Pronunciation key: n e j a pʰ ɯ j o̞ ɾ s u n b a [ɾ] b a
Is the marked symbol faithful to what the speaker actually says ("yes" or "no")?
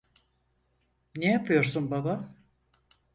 no